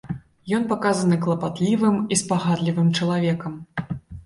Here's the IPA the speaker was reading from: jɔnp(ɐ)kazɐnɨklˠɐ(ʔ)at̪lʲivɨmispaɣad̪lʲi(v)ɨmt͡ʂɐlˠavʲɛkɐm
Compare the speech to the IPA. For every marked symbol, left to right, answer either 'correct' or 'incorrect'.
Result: incorrect, incorrect, correct

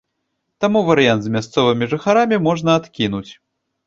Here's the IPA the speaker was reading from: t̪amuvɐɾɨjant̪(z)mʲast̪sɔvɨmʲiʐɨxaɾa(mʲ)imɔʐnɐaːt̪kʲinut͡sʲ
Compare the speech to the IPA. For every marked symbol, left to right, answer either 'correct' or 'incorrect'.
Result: correct, correct

